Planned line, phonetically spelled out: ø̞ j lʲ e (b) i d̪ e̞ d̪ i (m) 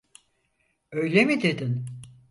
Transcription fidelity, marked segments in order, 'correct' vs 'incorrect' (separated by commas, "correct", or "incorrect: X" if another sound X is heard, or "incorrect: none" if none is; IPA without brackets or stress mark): incorrect: m, incorrect: n